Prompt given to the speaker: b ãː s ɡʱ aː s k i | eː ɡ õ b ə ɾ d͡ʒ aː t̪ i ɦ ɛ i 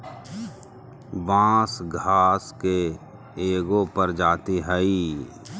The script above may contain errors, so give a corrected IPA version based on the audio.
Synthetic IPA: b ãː s ɡʱ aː s k e | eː ɡ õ p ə ɾ d͡ʒ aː t̪ i ɦ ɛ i